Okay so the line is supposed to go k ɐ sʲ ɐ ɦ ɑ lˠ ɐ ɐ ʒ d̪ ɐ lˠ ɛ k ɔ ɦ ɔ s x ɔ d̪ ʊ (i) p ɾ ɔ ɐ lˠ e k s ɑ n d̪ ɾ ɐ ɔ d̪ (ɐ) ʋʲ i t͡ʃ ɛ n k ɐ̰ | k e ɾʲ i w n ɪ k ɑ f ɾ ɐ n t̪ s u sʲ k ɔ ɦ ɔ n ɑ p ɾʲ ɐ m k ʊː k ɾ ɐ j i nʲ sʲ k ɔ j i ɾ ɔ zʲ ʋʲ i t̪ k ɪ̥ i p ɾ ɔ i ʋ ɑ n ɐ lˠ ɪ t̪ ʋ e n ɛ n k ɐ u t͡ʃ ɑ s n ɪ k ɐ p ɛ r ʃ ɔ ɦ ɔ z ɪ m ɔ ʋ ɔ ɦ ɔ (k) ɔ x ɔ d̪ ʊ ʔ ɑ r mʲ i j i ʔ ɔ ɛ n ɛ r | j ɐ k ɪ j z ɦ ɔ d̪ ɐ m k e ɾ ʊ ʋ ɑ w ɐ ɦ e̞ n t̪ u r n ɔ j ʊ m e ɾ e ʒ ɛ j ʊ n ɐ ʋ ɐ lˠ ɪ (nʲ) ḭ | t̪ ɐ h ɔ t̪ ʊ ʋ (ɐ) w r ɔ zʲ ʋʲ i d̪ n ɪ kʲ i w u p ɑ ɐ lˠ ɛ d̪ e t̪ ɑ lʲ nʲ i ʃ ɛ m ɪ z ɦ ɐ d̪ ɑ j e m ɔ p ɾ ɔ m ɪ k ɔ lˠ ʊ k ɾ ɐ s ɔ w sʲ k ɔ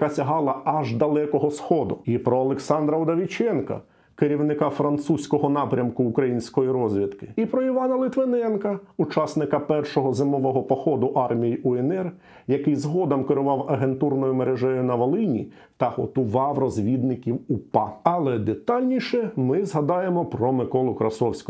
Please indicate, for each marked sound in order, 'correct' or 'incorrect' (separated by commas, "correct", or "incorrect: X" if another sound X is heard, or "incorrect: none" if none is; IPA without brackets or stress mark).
correct, correct, incorrect: p, correct, incorrect: ɑ